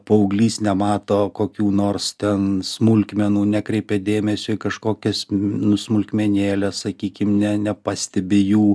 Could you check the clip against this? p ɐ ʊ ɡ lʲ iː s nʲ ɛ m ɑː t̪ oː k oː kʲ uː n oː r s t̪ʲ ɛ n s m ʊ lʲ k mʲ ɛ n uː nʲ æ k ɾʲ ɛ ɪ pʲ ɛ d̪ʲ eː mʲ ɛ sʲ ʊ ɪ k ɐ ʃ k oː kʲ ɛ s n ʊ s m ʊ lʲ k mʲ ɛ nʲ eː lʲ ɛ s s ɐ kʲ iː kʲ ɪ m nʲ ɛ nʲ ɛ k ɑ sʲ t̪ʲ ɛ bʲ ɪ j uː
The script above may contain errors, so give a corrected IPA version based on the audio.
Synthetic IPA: p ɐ ʊ ɡ lʲ iː s nʲ ɛ m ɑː t̪ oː k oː kʲ uː n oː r s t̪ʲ ɛ n s m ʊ lʲ k mʲ ɛ n uː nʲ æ k ɾʲ ɛ ɪ pʲ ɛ d̪ʲ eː mʲ ɛ sʲ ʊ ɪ k ɐ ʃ k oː kʲ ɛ s n ʊ s m ʊ lʲ k mʲ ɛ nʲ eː lʲ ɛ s s ɐ kʲ iː kʲ ɪ m nʲ ɛ nʲ ɛ p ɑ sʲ t̪ʲ ɛ bʲ ɪ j uː